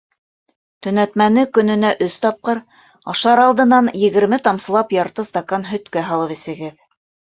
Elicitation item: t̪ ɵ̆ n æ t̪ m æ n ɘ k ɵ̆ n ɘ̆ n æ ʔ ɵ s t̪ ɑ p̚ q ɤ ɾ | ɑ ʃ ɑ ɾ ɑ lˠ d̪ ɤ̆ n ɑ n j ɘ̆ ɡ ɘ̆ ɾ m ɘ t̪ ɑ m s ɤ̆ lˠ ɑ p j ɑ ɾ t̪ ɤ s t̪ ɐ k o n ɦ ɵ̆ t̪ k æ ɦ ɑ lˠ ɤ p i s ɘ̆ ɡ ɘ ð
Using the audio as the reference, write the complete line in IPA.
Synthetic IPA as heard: t̪ ɵ̆ n æ t̪ m æ n ɘ k ɵ̆ n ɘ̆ n æ ʔ ɵ s t̪ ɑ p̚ q ɤ ɾ | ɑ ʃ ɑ ɾ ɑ lˠ d̪ ɤ̆ n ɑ n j ɘ̆ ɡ ɘ̆ ɾ m ɘ t̪ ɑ m s ɤ̆ lˠ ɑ p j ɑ ɾ t̪ ɤ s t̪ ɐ k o n ɦ ɵ̆ t̪ k æ ɦ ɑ lˠ ɤ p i s ɘ̆ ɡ ɘ ð